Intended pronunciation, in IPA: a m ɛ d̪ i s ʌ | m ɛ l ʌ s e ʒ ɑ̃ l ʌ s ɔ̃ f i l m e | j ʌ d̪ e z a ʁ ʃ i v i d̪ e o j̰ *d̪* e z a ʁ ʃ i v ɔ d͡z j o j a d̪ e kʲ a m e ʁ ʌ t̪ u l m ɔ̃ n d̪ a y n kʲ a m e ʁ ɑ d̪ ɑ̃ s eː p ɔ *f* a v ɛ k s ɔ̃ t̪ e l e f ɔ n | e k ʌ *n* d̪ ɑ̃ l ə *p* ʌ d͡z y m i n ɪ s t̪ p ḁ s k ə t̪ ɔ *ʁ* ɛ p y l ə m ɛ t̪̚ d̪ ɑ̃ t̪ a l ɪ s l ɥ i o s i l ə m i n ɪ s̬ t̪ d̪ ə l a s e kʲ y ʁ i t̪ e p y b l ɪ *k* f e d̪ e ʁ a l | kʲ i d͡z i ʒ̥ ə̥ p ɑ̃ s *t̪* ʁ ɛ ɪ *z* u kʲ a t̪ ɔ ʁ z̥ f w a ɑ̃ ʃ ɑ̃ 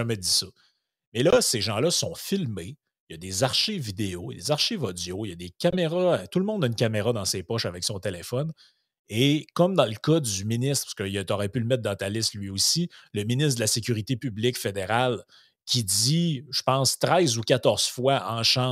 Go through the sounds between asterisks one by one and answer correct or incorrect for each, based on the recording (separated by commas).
correct, incorrect, incorrect, incorrect, correct, correct, correct, correct